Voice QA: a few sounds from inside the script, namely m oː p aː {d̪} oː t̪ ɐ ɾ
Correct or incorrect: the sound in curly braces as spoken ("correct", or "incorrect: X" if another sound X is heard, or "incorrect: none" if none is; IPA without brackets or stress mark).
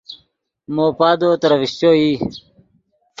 correct